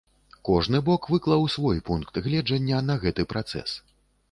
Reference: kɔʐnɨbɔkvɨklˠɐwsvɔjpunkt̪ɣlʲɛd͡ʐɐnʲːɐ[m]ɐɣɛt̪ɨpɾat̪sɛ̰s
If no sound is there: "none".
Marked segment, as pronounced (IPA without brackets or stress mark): n